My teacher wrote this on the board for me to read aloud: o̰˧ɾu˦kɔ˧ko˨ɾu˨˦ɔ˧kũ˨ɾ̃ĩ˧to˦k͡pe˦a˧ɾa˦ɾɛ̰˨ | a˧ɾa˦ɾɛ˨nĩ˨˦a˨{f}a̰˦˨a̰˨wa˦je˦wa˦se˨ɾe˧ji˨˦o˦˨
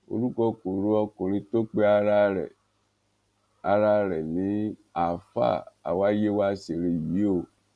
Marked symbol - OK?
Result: yes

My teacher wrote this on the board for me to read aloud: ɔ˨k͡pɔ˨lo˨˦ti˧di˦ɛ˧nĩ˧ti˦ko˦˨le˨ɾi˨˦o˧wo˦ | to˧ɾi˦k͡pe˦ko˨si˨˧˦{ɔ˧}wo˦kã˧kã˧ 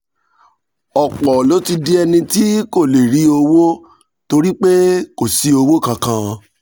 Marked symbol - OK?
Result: no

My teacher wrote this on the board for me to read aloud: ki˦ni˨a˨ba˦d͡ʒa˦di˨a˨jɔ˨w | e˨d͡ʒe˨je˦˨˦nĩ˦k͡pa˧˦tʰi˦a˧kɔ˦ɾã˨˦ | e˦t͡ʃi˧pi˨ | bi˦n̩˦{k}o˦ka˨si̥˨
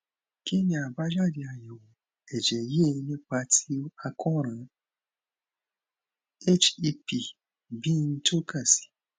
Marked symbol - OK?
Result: no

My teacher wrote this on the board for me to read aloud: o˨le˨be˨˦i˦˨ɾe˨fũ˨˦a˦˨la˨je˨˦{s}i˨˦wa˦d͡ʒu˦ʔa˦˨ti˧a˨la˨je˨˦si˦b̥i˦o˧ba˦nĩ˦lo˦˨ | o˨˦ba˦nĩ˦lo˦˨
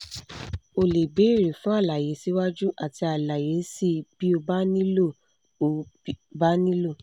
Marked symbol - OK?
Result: yes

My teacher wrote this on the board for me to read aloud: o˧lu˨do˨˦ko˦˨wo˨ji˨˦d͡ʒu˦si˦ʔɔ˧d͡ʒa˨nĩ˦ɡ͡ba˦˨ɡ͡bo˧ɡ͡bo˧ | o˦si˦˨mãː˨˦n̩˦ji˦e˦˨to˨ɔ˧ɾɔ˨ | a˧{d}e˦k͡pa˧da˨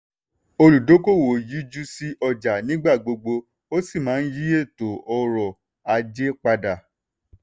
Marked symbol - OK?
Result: no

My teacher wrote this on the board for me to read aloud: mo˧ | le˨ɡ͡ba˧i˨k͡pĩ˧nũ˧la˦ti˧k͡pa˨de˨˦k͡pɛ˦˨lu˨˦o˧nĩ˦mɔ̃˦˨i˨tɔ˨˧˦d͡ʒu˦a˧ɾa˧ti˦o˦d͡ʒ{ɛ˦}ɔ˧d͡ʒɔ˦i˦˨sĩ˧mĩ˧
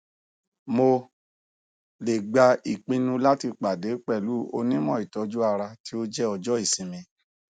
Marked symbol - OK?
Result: yes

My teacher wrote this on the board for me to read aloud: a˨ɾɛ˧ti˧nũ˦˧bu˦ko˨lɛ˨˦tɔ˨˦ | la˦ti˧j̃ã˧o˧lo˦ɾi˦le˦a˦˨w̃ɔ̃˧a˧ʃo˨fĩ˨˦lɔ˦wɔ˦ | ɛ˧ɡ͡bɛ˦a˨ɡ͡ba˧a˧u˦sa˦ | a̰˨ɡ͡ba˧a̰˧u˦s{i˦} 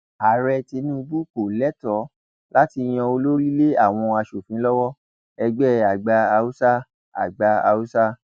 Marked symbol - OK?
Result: no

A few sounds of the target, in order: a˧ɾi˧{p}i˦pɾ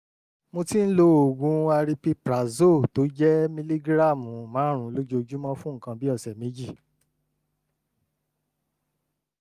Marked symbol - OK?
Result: yes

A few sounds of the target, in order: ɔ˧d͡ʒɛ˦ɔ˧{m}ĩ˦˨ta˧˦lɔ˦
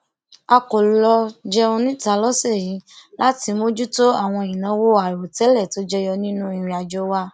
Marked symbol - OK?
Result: no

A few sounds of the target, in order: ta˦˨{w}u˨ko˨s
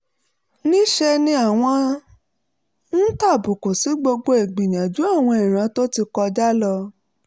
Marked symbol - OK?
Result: no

